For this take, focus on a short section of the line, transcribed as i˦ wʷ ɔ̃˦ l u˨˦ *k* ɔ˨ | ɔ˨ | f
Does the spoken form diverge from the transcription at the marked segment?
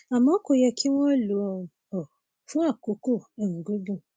yes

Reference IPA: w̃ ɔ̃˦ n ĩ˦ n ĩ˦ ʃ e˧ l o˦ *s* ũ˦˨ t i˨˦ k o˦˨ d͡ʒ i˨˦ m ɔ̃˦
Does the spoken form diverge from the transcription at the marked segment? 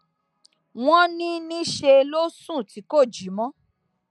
no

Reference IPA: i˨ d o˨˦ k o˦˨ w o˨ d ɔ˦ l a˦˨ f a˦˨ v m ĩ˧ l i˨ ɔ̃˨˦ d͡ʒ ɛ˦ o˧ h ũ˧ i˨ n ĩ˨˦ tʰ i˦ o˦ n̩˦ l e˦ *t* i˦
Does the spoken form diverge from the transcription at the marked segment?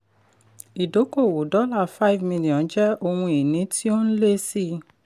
yes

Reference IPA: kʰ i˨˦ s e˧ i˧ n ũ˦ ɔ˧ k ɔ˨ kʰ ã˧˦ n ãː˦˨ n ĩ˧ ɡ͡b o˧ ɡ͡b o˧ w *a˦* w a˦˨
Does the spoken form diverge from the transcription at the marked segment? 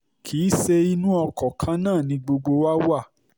no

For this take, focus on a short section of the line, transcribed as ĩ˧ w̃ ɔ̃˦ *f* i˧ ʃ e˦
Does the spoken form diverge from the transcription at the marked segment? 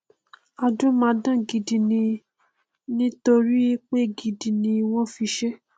no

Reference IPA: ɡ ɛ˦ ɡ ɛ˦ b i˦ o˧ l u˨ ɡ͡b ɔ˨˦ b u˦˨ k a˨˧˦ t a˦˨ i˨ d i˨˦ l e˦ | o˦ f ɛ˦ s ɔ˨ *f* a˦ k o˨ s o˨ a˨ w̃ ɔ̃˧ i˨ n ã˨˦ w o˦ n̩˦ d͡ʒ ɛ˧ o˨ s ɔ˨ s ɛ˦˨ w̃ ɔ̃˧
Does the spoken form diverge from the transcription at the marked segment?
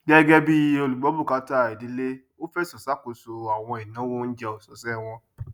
yes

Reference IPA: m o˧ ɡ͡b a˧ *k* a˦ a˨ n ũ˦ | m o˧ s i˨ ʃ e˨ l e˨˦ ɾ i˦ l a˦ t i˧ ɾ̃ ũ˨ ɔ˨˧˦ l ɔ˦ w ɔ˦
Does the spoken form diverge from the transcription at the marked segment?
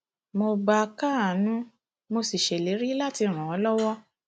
no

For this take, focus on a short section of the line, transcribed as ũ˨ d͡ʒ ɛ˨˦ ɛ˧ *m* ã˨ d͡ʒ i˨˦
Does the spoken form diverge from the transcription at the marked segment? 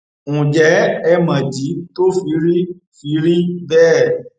no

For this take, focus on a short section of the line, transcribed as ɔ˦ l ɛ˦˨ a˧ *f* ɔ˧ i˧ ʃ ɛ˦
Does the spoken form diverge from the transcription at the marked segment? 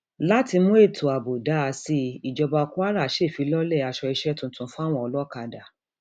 yes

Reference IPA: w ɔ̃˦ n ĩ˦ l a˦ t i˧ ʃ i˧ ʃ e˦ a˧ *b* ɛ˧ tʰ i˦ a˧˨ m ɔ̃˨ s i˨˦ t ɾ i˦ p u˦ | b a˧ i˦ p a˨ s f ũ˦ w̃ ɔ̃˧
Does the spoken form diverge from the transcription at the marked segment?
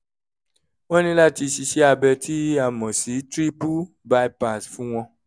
no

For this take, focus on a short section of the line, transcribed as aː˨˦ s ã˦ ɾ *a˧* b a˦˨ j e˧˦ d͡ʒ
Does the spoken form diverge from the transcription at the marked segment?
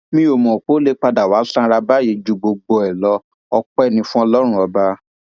no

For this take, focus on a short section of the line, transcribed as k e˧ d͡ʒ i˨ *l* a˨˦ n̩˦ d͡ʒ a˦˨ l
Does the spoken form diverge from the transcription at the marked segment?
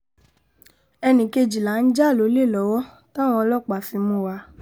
no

